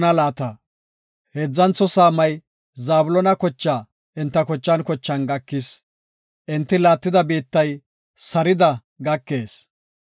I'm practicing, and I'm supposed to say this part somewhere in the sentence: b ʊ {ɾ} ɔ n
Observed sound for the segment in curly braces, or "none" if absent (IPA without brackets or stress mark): l